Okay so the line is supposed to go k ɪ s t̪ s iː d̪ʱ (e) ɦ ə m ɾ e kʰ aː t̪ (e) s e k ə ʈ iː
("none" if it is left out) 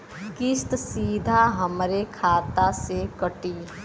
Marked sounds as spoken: a, a

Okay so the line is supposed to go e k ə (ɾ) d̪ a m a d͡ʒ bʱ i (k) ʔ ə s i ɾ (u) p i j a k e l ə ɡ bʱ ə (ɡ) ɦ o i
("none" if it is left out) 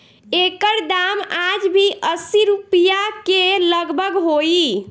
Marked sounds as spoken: ɾ, none, u, ɡ

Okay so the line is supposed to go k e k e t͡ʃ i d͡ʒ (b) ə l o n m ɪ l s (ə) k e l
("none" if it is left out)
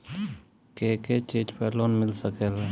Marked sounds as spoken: p, ə

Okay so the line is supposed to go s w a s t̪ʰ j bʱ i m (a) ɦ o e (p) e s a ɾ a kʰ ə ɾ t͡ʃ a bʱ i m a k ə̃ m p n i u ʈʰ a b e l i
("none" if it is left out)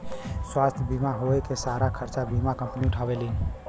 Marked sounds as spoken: a, k

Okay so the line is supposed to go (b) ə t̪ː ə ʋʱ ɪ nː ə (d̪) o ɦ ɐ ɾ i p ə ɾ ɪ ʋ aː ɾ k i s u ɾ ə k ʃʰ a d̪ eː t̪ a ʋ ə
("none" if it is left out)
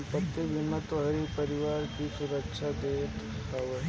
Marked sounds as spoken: p, t̪

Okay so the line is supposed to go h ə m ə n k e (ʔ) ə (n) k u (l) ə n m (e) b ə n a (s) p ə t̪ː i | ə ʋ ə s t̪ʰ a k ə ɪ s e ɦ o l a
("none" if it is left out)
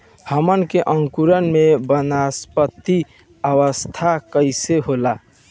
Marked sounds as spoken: ʔ, ŋ, ɾ, e, s

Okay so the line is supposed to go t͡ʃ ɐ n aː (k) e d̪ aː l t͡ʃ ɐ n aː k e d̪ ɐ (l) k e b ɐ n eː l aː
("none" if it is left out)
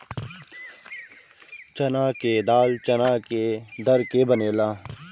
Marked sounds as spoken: k, ɾ

